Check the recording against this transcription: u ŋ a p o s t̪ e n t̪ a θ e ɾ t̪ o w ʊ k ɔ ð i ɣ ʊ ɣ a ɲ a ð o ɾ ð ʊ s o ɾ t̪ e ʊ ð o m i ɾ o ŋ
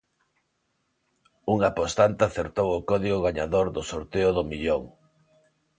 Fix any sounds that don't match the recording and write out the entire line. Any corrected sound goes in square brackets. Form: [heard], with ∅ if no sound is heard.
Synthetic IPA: u ŋ a p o s t̪ [a] n t̪ a θ e ɾ t̪ o w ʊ k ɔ ð i ɣ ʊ ɣ a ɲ a ð o ɾ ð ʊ s o ɾ t̪ e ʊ ð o m i [ʎ] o ŋ